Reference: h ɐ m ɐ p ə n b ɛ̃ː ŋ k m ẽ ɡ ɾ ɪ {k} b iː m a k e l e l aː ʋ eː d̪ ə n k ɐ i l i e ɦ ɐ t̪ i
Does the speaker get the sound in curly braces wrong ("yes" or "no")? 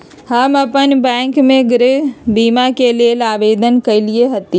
yes